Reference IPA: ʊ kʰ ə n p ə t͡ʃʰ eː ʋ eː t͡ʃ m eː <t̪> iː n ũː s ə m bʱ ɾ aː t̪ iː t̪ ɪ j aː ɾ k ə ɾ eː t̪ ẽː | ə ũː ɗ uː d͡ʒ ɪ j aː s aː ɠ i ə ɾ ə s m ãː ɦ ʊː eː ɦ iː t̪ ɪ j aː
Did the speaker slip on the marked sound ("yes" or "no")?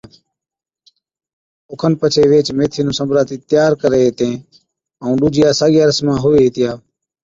yes